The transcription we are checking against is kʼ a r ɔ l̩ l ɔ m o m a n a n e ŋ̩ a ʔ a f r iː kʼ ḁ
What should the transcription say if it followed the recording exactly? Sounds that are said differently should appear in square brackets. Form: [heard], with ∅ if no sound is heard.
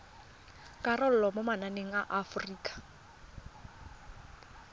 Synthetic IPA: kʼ a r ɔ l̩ l ɔ m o m a n a n e ŋ̩ a ʔ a f r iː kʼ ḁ